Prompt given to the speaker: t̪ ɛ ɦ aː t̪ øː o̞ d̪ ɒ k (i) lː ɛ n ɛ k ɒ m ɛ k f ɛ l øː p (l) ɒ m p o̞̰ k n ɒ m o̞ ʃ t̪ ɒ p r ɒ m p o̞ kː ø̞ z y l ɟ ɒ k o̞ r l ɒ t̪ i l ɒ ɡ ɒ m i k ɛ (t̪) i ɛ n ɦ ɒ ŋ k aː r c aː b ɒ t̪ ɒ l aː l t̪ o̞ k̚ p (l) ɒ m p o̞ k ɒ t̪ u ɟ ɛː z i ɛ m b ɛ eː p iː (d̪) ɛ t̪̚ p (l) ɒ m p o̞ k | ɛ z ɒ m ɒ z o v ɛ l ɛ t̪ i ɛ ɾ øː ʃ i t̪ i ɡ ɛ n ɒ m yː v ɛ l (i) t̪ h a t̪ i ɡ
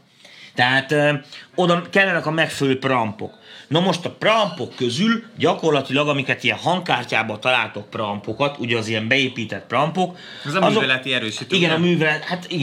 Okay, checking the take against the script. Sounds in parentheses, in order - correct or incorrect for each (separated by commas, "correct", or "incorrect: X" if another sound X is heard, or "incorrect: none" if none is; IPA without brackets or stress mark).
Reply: incorrect: ɛ, incorrect: r, correct, incorrect: r, incorrect: t̪, incorrect: r, incorrect: ɛ